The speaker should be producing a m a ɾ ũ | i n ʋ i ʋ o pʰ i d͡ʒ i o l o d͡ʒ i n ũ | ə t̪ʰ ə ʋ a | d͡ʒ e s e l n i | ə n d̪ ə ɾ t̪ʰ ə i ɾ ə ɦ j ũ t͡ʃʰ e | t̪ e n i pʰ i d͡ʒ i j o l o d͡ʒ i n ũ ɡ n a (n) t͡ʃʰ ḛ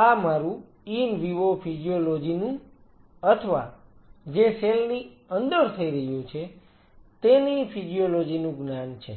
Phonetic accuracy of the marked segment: correct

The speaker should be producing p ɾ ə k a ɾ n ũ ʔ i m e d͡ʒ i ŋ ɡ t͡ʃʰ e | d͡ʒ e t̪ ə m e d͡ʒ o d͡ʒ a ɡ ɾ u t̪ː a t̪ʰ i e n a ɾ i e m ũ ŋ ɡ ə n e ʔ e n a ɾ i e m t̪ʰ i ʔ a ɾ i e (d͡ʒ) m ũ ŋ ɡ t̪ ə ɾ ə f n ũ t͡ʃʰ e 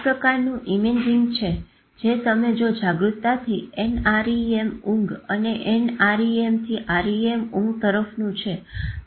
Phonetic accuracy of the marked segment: incorrect: none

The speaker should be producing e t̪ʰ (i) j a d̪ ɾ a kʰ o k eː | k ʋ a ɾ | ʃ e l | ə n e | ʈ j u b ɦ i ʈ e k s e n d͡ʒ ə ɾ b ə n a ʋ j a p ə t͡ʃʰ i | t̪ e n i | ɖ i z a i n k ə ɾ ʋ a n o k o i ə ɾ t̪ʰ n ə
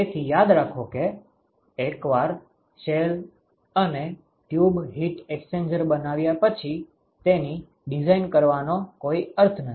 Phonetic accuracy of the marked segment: correct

